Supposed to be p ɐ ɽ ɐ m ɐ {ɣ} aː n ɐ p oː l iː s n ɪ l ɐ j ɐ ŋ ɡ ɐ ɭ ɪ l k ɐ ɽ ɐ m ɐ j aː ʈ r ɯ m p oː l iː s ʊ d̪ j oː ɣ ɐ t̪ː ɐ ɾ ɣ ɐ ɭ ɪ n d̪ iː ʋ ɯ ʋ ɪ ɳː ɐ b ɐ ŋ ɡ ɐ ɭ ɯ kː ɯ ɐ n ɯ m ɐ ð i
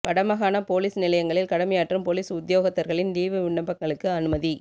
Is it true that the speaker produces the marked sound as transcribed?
yes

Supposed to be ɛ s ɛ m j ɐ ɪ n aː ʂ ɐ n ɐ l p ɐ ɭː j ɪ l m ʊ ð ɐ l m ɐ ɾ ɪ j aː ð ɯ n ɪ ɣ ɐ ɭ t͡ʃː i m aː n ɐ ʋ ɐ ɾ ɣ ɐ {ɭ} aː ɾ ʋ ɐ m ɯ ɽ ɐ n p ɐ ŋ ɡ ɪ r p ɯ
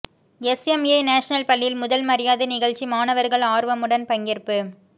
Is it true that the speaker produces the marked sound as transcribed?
yes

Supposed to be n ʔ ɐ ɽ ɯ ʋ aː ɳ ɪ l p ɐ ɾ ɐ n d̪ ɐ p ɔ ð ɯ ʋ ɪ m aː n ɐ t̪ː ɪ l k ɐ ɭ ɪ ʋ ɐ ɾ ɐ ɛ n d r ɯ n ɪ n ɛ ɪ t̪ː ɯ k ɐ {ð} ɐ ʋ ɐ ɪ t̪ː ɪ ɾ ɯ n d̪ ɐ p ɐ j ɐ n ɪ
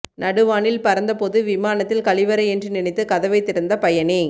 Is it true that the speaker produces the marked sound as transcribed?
yes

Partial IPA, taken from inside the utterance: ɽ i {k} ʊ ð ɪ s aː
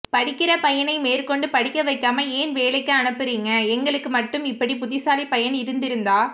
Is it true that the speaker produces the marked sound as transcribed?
no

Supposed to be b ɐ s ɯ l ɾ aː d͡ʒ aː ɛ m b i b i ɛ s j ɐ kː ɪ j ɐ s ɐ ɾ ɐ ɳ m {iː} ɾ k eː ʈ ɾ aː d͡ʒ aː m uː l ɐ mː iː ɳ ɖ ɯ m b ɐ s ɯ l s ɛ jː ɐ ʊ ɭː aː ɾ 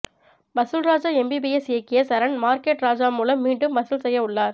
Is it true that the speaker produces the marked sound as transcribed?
no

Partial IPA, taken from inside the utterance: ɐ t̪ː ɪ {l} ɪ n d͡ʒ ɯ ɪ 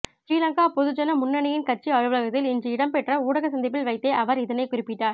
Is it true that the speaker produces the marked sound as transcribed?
yes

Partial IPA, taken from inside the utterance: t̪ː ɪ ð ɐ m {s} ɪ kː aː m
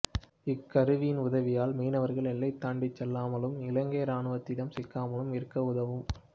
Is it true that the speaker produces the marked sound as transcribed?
yes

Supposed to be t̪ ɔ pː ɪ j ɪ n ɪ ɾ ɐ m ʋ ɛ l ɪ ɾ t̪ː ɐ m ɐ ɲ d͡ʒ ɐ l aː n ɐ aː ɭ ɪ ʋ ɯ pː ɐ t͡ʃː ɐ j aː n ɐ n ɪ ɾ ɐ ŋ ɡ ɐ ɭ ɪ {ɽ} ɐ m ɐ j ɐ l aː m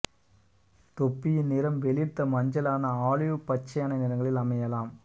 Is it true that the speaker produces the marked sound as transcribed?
no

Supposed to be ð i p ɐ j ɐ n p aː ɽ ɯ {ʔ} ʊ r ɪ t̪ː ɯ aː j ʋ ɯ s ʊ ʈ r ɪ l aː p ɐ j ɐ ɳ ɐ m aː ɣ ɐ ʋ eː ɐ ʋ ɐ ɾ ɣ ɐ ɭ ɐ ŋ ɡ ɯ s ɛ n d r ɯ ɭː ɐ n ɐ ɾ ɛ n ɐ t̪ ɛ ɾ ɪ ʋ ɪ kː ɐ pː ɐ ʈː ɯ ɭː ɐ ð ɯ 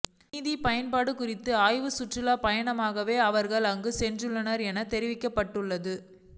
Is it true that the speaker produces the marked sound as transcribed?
no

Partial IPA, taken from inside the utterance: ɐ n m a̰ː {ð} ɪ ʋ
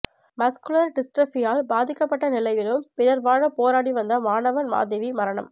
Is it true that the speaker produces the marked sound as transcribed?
yes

